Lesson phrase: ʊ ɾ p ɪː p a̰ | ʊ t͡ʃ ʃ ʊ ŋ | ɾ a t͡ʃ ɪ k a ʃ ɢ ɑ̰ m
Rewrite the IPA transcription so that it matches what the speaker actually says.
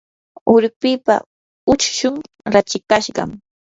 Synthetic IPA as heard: ʊ ɾ p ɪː p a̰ | ʊ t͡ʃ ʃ ʊ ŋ | ɾ a t͡ʃ ɪ k a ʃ ɢ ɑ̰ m